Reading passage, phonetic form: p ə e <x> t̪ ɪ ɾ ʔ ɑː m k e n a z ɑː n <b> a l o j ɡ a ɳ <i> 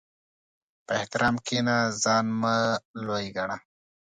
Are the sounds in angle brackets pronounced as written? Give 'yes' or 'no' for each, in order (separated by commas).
no, no, no